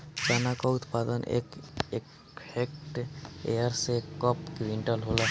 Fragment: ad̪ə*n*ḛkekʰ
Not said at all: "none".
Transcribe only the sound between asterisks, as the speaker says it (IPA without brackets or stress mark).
n